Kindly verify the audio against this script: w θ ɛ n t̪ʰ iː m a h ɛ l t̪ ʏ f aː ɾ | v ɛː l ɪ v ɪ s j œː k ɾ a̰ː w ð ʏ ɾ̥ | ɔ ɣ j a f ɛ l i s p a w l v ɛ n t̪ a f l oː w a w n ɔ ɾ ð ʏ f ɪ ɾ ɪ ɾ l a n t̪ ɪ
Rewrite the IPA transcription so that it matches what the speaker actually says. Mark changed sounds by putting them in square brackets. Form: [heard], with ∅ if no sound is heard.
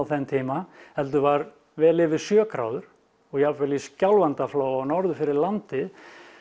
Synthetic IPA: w θ ɛ n t̪ʰ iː m a h ɛ l t̪ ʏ [v] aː ɾ | v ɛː l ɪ v ɪ s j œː k ɾ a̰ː w ð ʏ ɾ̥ | ɔ ɣ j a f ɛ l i s [c] a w l v [a] n t̪ a f l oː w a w n ɔ ɾ ð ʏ f ɪ ɾ ɪ ɾ l a n t̪ ɪ